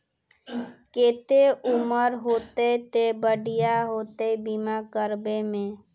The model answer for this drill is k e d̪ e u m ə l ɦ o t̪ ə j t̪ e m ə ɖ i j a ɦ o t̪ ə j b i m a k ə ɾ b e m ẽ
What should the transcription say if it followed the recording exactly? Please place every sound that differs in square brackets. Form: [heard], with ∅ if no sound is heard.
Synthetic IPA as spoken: k e [t̪] e u m ə [ɾ] ɦ o t̪ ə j t̪ e [b] ə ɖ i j a ɦ o t̪ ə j b i m a k ə ɾ b e m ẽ